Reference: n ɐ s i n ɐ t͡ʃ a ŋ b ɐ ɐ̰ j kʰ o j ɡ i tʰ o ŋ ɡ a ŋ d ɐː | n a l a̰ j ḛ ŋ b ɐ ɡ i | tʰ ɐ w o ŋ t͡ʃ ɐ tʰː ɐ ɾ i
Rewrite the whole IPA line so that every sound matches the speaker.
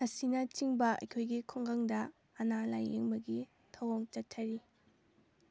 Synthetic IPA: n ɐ s i n ɐ t͡ʃ i ŋ b ɐ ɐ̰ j kʰ o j ɡ i kʰ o ŋ ɡ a ŋ d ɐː | n a l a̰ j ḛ ŋ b ɐ ɡ i | tʰ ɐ w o ŋ t͡ʃ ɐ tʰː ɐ ɾ i